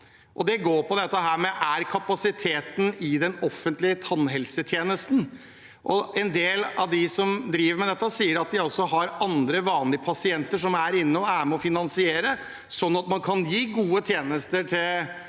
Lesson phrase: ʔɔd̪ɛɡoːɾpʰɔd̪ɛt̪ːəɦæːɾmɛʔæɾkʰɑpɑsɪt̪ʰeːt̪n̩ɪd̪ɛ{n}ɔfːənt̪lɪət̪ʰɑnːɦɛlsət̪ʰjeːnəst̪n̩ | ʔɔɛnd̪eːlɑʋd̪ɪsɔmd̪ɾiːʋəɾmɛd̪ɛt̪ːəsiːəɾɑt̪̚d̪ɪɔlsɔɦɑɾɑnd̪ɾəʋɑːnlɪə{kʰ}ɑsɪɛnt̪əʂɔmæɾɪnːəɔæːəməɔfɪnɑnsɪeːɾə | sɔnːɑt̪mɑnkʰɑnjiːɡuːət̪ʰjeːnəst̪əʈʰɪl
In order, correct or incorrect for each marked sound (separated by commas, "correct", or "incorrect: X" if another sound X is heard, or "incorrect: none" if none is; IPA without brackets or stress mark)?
correct, incorrect: pʰ